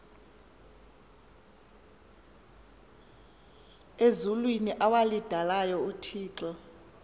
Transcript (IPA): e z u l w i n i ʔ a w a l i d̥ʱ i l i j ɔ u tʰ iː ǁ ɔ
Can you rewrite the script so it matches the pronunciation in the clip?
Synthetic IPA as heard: e z u l w i n i ʔ a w a l i d̥ʱ a l a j ɔ u tʰ iː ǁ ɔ